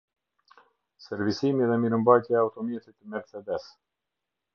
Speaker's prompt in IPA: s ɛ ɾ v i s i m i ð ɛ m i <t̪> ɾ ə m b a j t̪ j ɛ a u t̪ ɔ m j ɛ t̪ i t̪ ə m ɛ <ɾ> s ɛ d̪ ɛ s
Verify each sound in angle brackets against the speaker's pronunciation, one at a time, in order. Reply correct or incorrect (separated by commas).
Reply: incorrect, correct